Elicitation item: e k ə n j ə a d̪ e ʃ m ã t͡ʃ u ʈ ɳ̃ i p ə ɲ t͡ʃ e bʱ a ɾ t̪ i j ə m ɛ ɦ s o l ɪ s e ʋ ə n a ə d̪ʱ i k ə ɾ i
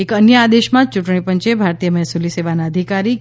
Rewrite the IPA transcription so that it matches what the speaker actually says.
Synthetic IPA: e k ə n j ə a d̪ e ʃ m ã t͡ʃ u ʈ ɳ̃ i p ə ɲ t͡ʃ e bʱ a ɾ t̪ i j ə m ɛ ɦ s u l i s e ʋ a n a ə d̪ʱ i k a ɾ i